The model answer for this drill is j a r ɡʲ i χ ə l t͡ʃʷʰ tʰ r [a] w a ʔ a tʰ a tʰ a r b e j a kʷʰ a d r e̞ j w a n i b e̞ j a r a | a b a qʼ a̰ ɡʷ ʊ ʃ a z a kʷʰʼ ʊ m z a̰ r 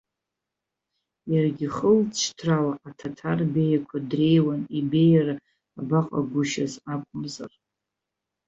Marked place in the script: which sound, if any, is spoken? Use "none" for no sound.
a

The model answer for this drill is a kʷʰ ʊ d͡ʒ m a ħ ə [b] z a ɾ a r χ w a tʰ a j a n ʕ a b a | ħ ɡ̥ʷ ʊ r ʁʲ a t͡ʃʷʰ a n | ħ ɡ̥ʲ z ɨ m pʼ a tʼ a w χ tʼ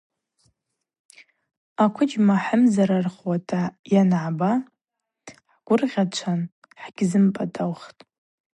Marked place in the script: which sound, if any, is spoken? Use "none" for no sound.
m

